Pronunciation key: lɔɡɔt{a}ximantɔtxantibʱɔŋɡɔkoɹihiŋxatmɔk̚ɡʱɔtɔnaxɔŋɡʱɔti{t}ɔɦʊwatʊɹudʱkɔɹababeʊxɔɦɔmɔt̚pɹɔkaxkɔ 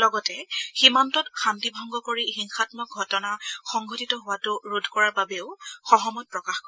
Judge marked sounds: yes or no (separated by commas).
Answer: no, yes